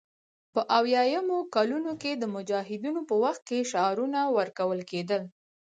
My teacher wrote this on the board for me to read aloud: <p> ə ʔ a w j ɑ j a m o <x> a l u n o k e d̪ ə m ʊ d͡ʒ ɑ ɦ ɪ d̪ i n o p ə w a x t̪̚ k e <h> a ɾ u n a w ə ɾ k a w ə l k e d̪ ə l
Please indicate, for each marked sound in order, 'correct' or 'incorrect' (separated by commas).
correct, incorrect, incorrect